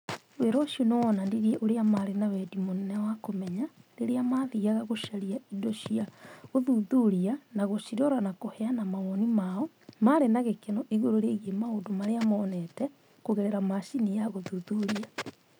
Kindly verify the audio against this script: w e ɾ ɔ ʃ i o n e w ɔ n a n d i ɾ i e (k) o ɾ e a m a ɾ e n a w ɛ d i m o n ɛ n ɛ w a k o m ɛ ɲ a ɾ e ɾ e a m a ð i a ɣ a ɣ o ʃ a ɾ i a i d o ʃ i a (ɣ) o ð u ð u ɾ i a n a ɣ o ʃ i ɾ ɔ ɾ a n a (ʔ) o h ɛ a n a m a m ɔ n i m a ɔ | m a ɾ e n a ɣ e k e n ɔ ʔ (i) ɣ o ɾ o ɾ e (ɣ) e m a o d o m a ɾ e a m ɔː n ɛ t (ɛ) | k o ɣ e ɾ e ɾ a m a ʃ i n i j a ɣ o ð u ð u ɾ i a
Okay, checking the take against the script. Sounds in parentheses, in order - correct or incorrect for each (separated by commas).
incorrect, correct, incorrect, correct, correct, correct